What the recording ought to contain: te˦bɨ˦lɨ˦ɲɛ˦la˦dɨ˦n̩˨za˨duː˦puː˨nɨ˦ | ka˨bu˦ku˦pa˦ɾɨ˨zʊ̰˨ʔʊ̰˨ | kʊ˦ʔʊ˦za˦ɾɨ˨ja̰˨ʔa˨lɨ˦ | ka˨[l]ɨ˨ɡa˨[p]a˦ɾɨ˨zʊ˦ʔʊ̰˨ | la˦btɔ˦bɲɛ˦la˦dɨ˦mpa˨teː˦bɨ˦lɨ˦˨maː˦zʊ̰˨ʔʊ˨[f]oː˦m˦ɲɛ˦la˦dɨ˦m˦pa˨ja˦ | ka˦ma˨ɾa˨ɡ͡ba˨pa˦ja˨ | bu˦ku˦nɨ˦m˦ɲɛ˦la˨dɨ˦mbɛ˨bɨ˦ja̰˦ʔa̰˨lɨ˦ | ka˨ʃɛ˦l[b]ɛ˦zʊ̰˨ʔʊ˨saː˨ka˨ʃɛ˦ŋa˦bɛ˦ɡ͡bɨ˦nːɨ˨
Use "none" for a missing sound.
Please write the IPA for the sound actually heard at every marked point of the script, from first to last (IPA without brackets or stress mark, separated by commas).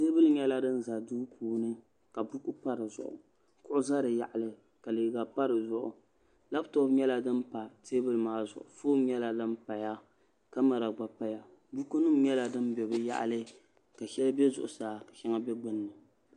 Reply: l, p, f, b